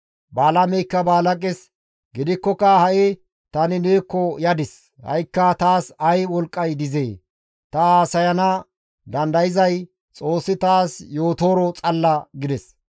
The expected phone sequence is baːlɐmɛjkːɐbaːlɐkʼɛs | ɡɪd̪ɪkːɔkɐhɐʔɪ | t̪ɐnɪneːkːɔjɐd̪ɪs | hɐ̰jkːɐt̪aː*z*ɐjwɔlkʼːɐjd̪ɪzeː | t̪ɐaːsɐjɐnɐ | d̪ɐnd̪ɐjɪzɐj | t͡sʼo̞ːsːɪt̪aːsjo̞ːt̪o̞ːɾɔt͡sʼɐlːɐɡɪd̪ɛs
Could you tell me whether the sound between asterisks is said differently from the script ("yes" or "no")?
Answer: yes